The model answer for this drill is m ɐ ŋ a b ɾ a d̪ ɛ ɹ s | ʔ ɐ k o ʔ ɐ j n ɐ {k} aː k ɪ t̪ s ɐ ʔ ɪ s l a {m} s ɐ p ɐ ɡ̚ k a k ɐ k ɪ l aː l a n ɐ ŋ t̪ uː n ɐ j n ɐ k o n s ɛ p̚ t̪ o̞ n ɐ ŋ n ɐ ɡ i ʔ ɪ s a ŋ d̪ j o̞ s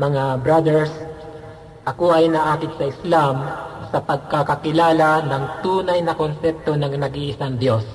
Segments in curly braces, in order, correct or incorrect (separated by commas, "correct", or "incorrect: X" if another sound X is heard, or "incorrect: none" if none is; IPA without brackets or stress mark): incorrect: ʔ, correct